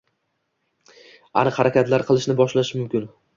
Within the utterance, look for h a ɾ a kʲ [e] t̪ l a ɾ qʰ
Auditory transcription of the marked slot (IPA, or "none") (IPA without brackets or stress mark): a